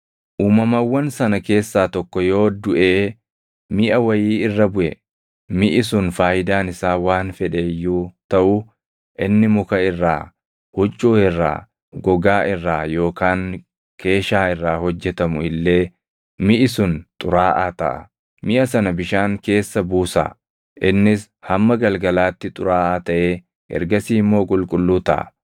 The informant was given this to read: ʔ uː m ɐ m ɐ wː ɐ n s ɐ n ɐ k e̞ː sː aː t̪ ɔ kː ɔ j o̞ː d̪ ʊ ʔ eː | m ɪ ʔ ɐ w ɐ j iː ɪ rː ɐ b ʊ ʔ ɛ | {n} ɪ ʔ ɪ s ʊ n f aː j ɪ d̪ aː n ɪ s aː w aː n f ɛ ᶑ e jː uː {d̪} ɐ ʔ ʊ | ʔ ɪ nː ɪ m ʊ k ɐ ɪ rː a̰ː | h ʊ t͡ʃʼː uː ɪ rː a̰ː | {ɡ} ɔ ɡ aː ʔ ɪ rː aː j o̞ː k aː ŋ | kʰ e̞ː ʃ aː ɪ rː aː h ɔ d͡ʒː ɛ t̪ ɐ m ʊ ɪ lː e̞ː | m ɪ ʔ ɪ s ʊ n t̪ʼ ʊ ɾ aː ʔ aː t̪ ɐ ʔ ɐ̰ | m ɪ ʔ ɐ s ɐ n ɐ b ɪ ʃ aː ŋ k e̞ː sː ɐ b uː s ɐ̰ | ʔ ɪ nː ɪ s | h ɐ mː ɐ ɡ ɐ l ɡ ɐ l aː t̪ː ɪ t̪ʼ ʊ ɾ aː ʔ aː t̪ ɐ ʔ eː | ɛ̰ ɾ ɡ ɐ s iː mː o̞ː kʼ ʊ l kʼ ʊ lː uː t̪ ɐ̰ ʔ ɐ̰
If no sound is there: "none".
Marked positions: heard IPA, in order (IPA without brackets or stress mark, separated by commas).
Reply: m, t̪, ɡ